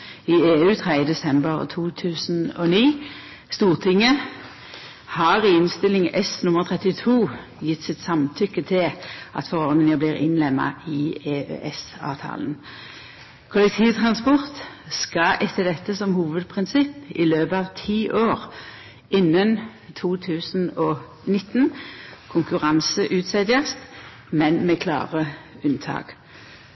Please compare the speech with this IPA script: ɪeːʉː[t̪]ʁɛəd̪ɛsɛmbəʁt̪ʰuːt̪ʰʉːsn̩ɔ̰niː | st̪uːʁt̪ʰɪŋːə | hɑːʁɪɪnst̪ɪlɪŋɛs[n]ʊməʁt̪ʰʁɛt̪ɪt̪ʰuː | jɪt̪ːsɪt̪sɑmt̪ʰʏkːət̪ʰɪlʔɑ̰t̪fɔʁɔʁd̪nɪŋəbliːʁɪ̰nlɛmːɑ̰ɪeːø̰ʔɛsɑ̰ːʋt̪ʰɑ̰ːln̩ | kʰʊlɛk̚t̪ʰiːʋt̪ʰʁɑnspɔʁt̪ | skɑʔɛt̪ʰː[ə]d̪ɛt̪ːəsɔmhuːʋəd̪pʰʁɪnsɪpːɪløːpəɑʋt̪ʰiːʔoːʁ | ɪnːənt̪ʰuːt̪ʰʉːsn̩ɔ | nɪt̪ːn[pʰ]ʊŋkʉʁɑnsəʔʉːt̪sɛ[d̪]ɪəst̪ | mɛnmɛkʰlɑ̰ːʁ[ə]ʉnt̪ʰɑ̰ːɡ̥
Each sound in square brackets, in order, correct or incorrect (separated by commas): incorrect, correct, correct, incorrect, correct, correct